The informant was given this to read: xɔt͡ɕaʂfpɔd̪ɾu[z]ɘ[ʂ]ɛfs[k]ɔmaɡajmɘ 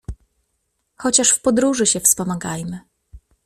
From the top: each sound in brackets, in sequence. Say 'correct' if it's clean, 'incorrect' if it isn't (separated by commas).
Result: incorrect, incorrect, incorrect